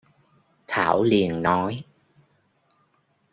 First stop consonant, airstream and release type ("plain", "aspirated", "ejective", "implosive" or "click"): aspirated